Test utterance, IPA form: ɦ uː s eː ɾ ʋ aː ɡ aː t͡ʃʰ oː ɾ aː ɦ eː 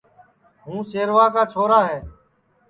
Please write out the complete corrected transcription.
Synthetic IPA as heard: ɦ ũː s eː ɾ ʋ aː k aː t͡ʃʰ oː ɾ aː ɦ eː